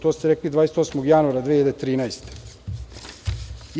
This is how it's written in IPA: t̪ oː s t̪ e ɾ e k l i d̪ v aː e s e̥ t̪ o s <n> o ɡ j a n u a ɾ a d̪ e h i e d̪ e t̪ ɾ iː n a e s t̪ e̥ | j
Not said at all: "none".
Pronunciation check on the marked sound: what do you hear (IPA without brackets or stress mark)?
m